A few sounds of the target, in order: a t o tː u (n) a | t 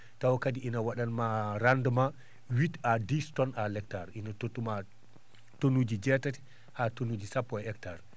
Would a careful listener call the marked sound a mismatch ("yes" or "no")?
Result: yes